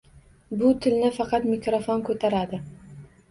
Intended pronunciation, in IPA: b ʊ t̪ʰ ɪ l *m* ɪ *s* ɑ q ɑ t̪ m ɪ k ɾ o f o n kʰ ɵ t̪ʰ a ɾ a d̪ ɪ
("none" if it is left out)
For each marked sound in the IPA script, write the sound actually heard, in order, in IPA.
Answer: n, f

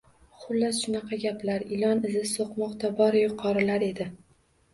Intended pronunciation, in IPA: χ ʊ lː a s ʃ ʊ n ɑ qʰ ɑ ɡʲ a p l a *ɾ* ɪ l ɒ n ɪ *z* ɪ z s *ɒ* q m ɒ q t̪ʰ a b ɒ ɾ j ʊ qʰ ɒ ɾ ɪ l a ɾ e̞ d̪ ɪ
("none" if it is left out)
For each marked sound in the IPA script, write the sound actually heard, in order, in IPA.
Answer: ɾ, z, o

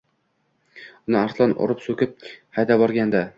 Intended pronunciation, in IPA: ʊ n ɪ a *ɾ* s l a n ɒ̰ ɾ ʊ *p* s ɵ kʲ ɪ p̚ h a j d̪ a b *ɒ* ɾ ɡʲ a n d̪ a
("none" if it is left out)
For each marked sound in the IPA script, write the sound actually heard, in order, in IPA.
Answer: ɾ, p, ɒ

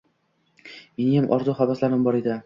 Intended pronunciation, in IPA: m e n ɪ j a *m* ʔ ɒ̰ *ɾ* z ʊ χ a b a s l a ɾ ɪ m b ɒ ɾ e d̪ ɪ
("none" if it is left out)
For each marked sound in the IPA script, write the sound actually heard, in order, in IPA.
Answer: m, ɾ

